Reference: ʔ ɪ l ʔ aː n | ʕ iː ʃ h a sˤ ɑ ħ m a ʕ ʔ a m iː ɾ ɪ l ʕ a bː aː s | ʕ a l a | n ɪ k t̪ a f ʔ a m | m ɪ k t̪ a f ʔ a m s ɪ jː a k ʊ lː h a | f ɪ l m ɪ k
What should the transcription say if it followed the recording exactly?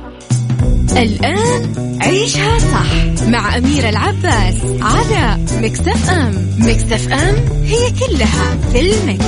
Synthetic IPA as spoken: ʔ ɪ l ʔ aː n | ʕ iː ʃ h a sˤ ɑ ħ m a ʕ ʔ a m iː ɾ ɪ l ʕ a bː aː s | ʕ a l a | m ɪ k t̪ a f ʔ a m | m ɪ k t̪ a f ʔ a m h ɪ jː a k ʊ lː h a | f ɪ l m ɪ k